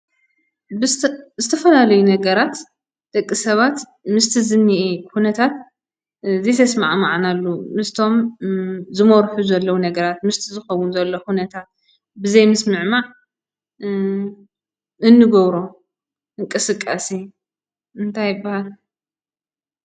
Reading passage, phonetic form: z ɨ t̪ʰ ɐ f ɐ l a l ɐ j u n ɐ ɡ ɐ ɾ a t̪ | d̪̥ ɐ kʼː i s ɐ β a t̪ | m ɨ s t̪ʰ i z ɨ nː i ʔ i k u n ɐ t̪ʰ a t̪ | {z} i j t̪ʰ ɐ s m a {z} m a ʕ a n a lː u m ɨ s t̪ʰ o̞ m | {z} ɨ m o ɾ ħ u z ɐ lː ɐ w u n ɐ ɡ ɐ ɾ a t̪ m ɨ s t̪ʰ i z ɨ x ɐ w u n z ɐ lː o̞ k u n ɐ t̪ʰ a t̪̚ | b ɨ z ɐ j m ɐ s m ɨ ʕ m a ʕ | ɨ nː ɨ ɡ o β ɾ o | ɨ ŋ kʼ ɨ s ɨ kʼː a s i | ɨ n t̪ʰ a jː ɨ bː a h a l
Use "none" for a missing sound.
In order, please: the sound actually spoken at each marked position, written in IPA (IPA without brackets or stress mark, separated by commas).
z, ʕ, z